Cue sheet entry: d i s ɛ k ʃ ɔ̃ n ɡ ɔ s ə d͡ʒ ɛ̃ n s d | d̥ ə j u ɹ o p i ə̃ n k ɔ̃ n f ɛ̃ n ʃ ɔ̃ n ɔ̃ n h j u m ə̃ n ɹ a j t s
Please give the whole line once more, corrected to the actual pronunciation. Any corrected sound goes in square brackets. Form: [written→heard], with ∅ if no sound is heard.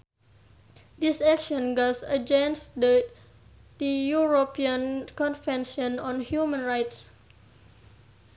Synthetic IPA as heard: d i s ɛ k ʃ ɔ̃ n ɡ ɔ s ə d͡ʒ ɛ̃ n s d | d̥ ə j u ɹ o p i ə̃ n k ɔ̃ n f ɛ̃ n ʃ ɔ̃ n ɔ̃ n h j u m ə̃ n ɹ a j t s